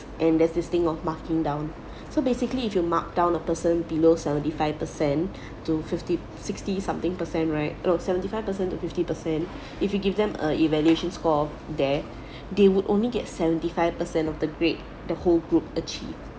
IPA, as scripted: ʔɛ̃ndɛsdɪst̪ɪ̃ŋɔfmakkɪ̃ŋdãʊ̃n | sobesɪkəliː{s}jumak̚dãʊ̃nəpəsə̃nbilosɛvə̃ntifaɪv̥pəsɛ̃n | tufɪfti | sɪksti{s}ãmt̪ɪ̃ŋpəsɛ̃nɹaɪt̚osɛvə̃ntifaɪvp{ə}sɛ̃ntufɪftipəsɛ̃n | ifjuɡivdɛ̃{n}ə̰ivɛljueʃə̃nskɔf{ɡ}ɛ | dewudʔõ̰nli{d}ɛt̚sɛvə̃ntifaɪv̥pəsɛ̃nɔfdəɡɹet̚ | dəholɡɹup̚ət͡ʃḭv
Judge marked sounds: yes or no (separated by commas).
no, yes, yes, no, no, no